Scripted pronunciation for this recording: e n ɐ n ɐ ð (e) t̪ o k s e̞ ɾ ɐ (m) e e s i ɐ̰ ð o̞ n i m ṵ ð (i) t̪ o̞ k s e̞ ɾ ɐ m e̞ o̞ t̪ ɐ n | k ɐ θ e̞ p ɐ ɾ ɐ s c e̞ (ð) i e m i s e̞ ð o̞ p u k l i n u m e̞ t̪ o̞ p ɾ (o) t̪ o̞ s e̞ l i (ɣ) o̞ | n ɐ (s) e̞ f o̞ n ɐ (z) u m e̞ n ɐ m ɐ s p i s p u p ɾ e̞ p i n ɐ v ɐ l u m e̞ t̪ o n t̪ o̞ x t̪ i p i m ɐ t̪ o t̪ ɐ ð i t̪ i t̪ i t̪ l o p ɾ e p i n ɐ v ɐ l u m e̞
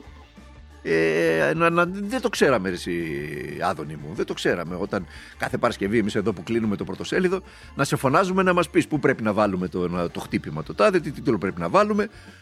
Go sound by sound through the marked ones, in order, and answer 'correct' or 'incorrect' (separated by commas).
correct, correct, incorrect, incorrect, correct, incorrect, correct, correct